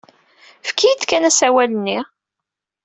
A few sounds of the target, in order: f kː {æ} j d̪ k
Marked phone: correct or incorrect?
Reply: incorrect: i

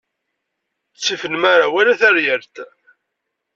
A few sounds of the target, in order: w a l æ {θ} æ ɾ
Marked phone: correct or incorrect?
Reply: correct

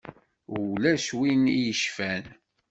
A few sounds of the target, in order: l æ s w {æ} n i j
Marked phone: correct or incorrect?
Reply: incorrect: i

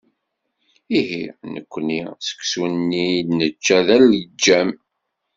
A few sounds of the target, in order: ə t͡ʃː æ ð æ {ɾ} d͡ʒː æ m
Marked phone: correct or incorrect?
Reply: incorrect: l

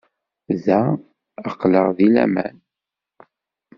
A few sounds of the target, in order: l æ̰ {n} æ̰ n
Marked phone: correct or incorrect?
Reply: incorrect: m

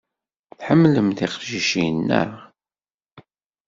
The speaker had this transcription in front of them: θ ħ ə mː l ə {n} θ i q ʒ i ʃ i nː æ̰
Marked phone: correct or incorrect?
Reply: incorrect: m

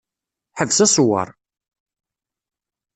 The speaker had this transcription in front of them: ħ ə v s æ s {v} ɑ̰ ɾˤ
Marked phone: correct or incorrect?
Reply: incorrect: w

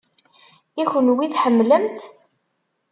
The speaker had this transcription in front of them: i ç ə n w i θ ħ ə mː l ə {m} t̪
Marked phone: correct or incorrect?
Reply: correct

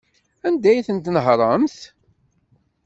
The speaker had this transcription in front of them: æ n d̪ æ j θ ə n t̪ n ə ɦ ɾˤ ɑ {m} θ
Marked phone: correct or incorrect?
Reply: correct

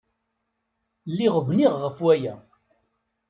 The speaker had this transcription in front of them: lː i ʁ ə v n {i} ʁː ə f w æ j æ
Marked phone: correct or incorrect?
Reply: correct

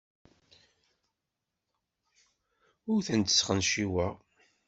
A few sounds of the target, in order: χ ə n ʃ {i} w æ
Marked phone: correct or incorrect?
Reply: correct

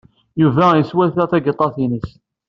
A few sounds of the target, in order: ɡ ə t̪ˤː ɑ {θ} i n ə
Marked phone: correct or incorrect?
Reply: correct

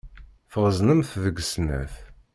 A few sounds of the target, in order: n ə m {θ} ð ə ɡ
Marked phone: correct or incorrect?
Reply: correct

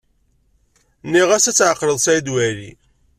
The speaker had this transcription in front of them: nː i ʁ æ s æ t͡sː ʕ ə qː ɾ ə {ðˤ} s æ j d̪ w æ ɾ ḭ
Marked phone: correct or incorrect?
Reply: correct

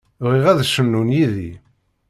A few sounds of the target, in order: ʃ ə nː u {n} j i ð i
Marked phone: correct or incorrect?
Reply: correct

